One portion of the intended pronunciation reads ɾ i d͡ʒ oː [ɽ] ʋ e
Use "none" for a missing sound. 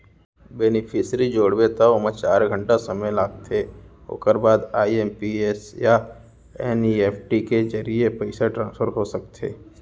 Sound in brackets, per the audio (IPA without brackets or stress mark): ɽ